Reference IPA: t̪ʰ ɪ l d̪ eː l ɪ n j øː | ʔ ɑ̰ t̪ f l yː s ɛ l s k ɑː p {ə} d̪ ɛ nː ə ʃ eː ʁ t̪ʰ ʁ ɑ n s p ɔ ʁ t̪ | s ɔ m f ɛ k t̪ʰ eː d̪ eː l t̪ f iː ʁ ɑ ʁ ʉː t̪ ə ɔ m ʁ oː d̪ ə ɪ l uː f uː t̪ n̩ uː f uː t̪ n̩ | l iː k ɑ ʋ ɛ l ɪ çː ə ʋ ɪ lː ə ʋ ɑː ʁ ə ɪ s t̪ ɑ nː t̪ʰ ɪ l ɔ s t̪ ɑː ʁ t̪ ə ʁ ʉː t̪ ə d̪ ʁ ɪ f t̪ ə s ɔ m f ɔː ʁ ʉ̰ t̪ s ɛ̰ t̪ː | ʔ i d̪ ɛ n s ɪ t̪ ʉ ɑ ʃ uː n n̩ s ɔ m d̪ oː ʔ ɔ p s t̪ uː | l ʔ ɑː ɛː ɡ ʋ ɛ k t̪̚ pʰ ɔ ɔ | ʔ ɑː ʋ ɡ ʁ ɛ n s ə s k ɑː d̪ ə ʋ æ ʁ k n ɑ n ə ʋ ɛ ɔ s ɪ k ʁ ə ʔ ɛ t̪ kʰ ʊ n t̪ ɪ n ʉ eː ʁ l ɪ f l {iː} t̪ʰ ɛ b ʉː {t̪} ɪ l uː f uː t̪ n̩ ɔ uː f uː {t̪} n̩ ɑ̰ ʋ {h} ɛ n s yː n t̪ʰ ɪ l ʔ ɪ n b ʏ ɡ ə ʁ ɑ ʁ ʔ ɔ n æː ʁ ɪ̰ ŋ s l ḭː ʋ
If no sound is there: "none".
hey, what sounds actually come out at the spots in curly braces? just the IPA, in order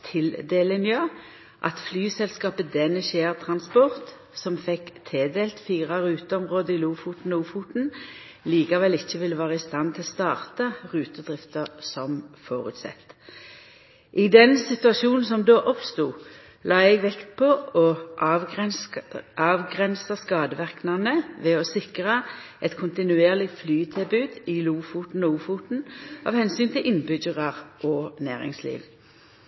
ə, yː, d̪, t̪, h

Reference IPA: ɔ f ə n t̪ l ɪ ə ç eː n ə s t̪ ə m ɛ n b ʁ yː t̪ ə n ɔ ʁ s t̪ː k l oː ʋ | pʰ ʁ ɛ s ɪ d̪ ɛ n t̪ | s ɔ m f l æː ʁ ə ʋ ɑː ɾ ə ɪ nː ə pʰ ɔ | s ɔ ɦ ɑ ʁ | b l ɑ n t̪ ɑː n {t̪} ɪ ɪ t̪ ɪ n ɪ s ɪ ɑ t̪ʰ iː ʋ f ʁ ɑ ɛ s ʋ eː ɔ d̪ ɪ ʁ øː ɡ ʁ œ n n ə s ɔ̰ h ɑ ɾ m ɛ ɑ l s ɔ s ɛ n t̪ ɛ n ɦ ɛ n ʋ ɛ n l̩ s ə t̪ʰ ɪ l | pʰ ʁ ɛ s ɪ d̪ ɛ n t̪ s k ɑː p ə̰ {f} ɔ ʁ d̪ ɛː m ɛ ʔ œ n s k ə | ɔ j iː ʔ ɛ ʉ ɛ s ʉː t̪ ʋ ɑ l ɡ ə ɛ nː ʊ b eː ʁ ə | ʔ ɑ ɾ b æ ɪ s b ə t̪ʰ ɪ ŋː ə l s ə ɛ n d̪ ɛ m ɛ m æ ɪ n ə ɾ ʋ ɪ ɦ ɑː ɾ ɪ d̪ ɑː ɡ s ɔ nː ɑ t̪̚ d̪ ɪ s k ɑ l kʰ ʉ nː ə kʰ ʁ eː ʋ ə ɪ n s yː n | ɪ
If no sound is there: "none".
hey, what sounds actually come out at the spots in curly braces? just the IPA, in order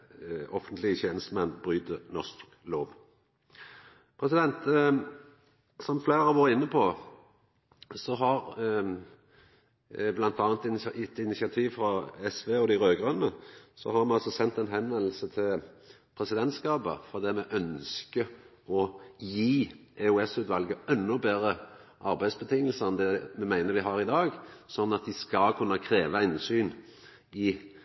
t̪, f

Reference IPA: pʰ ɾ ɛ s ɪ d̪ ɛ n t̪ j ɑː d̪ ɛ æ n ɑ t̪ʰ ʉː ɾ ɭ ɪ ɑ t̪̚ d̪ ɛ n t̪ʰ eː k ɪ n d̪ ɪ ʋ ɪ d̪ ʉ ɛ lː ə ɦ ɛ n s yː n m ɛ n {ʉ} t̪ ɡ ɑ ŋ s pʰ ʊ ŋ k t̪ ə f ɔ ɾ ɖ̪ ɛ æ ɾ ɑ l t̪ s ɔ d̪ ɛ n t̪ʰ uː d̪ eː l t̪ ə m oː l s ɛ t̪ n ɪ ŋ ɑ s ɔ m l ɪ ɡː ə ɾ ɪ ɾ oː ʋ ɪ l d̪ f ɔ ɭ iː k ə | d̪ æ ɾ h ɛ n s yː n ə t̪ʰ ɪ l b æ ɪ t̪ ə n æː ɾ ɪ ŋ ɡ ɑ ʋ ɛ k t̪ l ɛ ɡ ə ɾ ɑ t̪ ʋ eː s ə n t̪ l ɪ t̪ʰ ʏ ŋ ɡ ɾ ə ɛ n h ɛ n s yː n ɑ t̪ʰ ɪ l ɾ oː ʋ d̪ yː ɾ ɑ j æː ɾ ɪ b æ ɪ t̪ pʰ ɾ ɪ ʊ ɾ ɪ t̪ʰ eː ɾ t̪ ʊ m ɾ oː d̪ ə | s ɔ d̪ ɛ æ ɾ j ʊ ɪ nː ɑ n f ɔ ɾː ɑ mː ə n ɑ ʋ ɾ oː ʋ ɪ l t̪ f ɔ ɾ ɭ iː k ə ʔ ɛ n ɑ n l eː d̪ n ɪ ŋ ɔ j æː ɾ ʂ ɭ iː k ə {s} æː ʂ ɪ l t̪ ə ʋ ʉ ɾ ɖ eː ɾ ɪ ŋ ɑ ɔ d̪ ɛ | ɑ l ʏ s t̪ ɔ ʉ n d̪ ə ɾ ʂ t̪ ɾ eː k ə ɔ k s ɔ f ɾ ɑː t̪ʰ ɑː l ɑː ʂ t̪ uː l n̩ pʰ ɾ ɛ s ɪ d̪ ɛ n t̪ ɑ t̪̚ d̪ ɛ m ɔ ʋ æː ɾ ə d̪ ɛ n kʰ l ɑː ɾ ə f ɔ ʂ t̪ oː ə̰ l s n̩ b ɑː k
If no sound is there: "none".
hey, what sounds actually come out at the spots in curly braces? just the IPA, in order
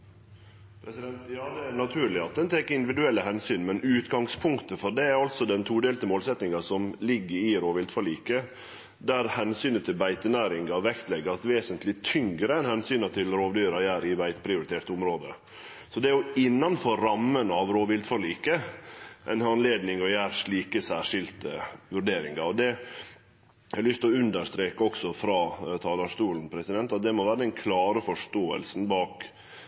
ʉː, s

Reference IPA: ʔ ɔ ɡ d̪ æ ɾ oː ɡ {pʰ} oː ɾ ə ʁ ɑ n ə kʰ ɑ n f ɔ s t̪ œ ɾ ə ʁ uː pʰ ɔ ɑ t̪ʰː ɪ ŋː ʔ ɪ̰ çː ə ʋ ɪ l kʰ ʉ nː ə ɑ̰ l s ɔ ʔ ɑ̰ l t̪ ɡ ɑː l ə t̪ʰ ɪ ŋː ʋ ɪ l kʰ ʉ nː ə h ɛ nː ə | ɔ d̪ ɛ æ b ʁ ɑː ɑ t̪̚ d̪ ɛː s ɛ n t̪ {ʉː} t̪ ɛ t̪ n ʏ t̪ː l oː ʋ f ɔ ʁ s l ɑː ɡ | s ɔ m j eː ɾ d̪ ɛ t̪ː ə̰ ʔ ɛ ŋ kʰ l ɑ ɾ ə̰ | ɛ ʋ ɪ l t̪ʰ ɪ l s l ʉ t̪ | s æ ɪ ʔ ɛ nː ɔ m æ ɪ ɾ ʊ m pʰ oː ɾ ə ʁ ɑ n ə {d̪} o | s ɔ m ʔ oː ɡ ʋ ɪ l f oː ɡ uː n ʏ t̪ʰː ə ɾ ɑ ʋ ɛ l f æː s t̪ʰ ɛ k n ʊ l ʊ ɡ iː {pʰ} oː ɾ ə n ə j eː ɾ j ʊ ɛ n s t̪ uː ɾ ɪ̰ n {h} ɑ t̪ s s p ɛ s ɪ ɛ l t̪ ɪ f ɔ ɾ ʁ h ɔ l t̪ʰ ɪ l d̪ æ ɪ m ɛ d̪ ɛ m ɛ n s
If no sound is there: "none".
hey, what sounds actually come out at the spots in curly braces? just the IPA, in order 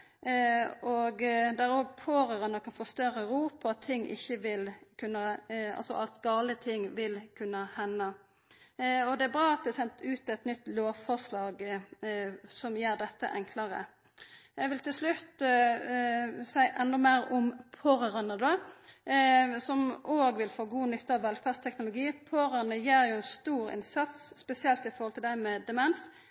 pʰ, ʉː, d̪, pʰ, s

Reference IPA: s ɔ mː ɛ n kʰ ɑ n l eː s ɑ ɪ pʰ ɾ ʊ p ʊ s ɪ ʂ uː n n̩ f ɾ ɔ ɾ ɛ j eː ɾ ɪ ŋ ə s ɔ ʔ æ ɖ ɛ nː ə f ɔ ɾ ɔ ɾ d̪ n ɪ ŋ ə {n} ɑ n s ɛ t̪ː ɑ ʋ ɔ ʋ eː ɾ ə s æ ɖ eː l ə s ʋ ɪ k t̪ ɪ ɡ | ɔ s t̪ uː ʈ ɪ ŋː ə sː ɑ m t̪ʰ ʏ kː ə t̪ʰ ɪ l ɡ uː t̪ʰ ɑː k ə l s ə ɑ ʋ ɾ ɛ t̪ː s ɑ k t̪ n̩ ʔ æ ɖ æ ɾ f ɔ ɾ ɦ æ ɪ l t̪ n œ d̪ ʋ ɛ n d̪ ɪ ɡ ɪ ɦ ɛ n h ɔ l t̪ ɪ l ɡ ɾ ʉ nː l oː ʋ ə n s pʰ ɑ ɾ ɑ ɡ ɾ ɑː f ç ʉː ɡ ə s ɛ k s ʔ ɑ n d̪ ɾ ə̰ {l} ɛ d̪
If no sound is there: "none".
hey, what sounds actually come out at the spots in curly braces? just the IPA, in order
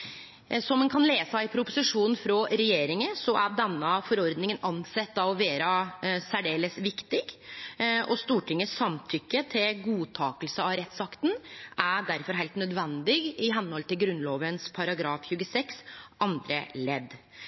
n, l

